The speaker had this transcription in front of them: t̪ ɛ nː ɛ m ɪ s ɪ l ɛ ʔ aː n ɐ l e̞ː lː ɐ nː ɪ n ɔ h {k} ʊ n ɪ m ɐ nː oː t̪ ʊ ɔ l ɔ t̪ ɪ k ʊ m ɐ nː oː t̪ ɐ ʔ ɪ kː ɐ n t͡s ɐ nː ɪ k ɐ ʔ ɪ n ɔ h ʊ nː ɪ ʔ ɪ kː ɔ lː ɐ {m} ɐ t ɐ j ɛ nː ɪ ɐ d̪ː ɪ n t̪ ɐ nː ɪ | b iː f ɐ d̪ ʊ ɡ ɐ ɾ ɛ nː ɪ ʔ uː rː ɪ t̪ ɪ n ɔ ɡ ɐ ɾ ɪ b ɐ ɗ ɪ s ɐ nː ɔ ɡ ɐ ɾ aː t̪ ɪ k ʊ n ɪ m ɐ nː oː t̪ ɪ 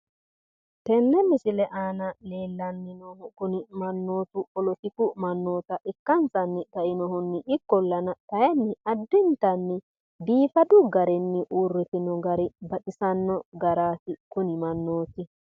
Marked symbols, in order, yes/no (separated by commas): yes, no